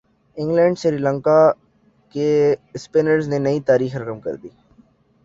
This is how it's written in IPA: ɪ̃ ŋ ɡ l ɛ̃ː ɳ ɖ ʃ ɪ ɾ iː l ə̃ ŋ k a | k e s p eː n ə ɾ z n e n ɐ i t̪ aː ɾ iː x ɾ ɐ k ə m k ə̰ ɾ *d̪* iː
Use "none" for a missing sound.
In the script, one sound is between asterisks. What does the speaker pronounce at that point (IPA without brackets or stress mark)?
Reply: d̪